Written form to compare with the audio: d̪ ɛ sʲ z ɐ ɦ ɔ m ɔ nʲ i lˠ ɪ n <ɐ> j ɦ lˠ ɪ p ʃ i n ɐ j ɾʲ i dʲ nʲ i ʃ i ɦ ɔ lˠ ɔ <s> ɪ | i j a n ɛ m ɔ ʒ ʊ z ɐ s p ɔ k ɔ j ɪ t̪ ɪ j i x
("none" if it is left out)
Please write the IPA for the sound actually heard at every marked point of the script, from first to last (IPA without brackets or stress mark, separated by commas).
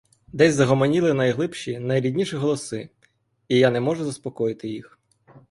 ɐ, s